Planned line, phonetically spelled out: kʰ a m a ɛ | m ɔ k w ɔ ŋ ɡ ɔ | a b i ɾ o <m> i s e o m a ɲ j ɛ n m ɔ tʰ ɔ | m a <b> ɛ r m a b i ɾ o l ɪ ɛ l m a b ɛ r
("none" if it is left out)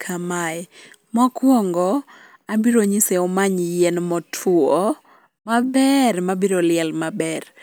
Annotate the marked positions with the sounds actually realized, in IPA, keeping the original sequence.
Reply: ɲ, b

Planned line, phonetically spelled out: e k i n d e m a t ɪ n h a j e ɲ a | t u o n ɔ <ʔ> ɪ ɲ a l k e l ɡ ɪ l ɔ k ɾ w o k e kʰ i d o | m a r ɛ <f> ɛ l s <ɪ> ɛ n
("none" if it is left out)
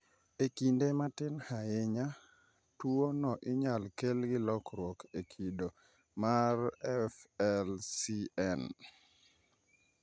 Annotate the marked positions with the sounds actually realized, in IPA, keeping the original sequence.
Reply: ʔ, f, i

